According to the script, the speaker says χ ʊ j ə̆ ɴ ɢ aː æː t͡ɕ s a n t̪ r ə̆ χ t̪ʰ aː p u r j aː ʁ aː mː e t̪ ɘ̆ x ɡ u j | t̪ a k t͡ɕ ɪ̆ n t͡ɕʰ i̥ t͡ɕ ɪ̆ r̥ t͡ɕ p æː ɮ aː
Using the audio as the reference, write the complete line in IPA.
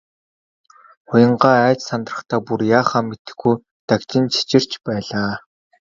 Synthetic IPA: χ ʊ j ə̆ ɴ ɢ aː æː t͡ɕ s a n t̪ r ə̆ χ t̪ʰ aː p u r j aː χ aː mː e t̪ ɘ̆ x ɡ u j | t̪ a k t͡ɕ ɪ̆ n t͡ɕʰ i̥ t͡ɕ ɪ̆ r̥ t͡ɕ p æː ɮ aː